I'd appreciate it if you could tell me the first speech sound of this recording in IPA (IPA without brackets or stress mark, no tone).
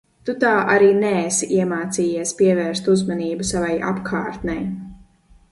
t̪